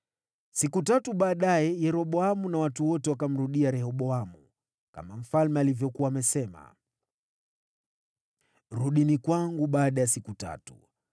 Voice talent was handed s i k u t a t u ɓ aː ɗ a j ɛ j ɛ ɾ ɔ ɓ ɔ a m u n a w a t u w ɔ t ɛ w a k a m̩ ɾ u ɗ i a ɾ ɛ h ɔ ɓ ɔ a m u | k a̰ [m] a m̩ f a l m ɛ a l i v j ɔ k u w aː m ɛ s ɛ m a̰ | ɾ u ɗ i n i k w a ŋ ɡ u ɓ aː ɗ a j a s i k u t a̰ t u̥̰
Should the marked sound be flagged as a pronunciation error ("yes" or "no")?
no